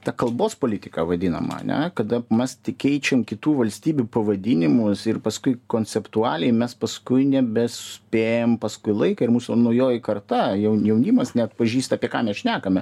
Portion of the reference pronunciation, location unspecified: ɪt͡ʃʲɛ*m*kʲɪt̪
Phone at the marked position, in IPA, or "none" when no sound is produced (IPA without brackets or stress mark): m